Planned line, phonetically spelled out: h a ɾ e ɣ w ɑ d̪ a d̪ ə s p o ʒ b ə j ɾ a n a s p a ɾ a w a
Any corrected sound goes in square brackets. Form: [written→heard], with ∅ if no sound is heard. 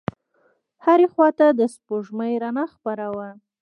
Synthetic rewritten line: h a ɾ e [ɣ→x] w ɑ [d̪→t̪] a d̪ ə s p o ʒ [b→m] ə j ɾ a n a [s→x] p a ɾ a w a

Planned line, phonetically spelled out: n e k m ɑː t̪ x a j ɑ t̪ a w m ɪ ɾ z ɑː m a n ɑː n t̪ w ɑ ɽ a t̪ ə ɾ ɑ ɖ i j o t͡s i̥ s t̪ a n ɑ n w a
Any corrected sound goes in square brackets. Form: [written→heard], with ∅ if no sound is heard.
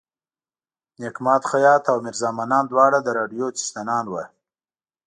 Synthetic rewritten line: n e k m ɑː t̪ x a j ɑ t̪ a w m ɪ ɾ z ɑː m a n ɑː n [t̪→d̪] w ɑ ɽ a [t̪→d̪] ə ɾ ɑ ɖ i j o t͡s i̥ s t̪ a n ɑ n w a

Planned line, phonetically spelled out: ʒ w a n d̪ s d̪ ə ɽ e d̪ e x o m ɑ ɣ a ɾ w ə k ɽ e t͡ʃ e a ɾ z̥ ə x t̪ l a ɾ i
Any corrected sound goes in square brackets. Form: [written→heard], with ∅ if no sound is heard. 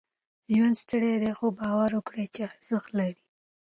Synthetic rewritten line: ʒ w a n d̪ s [d̪→t̪] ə ɽ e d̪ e x o [m→b] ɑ [ɣ→w] a ɾ w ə k ɽ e t͡ʃ e a ɾ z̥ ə x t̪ l a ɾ i

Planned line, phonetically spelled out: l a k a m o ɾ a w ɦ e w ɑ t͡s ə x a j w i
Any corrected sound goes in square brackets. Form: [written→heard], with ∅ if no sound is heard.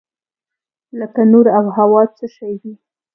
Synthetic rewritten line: l [a→ə] k a [m→n] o ɾ a w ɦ [e→a] w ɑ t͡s ə [x→ʃ] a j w i

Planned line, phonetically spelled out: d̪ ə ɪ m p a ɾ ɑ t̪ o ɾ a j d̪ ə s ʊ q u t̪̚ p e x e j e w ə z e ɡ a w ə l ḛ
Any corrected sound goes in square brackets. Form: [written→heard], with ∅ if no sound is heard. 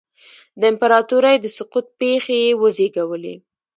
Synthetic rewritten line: d̪ ə ɪ m p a ɾ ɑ t̪ [o→u] ɾ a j d̪ ə s ʊ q u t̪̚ p e x e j e w ə z e ɡ a w ə l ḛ

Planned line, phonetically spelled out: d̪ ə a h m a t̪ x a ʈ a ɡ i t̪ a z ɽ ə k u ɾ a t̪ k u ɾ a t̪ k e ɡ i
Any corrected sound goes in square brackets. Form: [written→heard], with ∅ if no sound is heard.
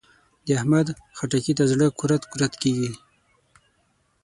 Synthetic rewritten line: d̪ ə a h m a [t̪→d̪] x a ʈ a [ɡ→k] i t̪ a z ɽ ə k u ɾ a t̪ k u ɾ a t̪ k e ɡ i

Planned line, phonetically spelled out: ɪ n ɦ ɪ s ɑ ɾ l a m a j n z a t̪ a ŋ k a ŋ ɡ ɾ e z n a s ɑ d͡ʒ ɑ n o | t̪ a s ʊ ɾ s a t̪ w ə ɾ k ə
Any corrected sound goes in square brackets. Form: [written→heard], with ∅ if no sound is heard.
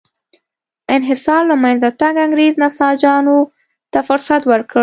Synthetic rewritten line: ɪ n ɦ ɪ s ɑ ɾ l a m a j n z a t̪ a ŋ [k→ɡ] a ŋ ɡ ɾ e z n a s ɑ d͡ʒ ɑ n o | t̪ a [s→f] ʊ ɾ s a t̪ w ə ɾ k ə

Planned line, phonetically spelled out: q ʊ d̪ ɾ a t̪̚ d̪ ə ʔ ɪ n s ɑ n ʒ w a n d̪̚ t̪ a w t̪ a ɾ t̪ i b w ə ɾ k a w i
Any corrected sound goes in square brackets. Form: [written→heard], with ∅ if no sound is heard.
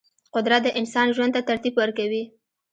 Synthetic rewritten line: q ʊ d̪ ɾ a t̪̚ d̪ ə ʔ ɪ n s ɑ n ʒ w a n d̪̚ t̪ a [w→∅] t̪ a ɾ t̪ i b w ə ɾ k a w i

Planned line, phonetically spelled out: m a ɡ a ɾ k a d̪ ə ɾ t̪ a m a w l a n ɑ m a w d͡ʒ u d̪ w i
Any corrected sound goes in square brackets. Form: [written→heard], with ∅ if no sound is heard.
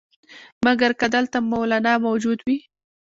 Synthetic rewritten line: m a ɡ a ɾ k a d̪ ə [ɾ→l] t̪ a m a w l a n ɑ m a w d͡ʒ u d̪ w i

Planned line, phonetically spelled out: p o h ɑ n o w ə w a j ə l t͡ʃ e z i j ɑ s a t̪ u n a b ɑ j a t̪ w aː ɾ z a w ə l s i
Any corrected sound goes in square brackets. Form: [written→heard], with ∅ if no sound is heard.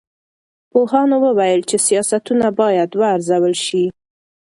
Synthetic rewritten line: p o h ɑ n o w ə w a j ə l t͡ʃ e [z→s] i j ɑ s a t̪ u n a b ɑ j a [t̪→d̪] w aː ɾ z a w ə l [s→ʃ] i

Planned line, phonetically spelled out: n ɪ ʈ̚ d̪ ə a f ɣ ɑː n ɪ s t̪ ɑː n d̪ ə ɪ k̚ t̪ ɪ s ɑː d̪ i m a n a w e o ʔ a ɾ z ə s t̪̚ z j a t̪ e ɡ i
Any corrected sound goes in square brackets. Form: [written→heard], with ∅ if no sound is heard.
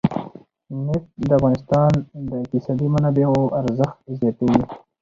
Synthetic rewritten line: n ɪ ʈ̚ d̪ ə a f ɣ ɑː n ɪ s t̪ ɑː n d̪ ə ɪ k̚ t̪ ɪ s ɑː d̪ i m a n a [w→b] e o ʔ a ɾ z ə [s→x] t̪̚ z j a t̪ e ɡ i

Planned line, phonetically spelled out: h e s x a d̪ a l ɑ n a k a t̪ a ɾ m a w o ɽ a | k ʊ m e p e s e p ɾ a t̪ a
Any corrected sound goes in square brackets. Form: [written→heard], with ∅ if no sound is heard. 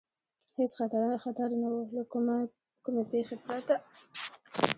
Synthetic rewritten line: h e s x a [d̪→t̪] a [l→ɾ] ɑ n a [k→x] a t̪ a ɾ [m→n] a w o [ɽ→l] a | k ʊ m e p e [s→x] e p ɾ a t̪ a

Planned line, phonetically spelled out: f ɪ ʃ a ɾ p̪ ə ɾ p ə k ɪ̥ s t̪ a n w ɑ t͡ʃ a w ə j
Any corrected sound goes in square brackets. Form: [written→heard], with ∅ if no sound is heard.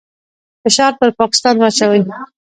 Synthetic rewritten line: f ɪ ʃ [a→ɑ] ɾ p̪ ə ɾ p [ə→ɑ] k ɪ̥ s t̪ [a→ɑ] n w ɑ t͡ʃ a w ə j

